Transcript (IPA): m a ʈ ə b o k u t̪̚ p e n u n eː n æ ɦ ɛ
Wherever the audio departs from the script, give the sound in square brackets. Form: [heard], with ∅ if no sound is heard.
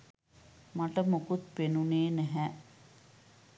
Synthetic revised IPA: m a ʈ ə [m] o k u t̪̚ p e n u n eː n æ ɦ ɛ